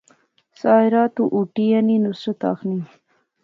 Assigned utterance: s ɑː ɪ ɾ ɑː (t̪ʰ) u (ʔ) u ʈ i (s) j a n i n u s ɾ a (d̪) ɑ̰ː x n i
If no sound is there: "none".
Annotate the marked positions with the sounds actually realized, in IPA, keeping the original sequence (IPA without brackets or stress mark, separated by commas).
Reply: t̪, ʔ, none, t̪